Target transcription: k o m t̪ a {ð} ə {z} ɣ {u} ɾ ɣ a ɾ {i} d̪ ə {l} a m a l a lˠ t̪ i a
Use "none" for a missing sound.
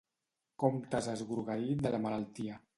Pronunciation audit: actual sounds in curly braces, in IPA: z, z, u, i, l

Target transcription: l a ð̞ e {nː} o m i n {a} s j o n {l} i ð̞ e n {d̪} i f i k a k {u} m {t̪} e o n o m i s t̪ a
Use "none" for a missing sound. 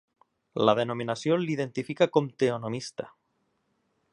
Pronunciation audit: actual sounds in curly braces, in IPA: n, a, l, t̪, o, t̪

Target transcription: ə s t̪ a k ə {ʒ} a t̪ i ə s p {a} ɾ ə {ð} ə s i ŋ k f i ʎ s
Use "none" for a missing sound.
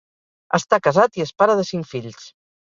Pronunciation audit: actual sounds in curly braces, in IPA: z, a, ð

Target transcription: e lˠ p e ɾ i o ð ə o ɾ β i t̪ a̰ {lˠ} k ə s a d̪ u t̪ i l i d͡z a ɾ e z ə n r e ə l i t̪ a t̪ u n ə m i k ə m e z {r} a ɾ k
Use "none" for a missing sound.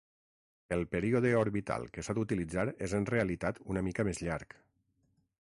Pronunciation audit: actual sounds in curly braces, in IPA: lˠ, ʎ

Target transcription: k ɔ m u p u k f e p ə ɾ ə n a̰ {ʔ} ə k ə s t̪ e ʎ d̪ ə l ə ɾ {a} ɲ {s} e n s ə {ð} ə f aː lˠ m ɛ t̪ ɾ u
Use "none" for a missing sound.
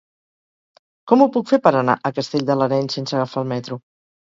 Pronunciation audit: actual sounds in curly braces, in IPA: ʔ, ɛ, s, ɣ

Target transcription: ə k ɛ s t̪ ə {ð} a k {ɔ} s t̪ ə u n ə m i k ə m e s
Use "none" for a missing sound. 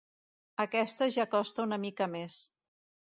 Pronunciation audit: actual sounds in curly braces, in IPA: ʒ, ɔ

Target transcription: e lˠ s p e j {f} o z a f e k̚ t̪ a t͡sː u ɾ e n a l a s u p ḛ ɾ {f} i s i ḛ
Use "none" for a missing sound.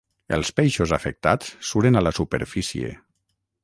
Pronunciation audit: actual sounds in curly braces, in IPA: ʃ, f

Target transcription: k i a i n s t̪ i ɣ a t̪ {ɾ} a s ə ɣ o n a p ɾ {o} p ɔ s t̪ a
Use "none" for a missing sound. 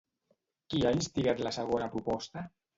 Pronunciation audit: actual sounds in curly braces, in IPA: l, u

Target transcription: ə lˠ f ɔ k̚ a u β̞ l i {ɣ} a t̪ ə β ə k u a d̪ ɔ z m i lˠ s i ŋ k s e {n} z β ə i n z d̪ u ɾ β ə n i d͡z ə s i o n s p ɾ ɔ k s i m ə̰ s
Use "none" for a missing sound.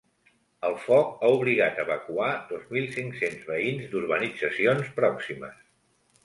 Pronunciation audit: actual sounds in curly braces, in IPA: ɣ, n

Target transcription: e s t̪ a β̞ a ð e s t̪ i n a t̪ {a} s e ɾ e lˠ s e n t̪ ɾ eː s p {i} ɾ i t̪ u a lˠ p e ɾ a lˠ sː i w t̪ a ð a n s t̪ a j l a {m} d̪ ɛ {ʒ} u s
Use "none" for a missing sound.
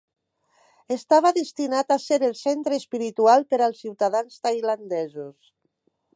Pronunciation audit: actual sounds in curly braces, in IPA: a, i, n, z

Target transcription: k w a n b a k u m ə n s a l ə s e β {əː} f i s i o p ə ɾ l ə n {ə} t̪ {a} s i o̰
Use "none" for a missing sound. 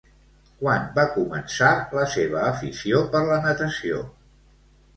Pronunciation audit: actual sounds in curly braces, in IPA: əː, ə, ə

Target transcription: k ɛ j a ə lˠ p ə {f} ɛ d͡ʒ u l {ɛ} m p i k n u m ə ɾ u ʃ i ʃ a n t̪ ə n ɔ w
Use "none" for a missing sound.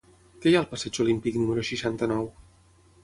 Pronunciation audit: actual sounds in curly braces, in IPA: s, i

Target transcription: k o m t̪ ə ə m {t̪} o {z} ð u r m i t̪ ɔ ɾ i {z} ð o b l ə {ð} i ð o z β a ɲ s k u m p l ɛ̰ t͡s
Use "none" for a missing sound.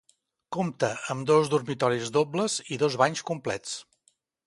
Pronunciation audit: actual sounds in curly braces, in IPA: d̪, z, z, z

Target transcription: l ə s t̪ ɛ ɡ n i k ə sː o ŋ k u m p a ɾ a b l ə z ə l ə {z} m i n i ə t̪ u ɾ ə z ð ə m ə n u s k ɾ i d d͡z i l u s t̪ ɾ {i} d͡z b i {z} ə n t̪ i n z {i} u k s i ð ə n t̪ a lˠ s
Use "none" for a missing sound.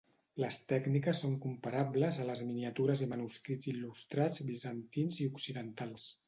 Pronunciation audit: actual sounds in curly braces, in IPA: z, a, z, i

